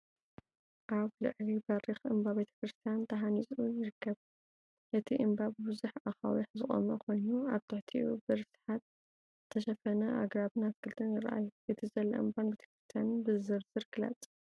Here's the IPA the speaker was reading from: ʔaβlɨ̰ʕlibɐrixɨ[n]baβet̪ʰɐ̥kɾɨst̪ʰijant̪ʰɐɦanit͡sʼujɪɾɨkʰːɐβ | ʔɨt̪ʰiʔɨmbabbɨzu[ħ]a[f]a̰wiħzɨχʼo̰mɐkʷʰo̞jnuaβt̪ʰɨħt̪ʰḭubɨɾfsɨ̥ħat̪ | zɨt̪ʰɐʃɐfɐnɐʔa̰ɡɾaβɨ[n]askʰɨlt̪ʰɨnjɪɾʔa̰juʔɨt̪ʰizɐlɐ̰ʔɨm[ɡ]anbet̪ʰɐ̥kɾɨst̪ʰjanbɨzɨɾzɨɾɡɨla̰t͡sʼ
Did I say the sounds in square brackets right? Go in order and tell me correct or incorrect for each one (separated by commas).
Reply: incorrect, correct, incorrect, correct, incorrect